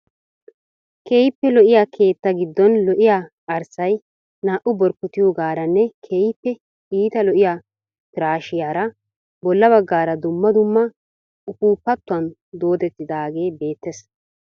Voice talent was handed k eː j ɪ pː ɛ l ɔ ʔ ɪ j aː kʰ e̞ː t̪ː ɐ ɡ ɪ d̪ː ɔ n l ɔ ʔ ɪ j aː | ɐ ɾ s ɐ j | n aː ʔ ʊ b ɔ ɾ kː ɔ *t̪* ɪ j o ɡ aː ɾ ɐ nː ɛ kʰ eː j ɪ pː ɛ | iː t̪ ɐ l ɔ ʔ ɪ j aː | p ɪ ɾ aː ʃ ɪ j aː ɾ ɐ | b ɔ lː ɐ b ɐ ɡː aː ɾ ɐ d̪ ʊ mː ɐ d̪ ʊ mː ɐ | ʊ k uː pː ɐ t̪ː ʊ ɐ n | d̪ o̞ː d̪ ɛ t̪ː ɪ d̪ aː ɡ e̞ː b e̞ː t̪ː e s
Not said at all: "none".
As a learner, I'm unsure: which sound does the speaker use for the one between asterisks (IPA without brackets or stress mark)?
t̪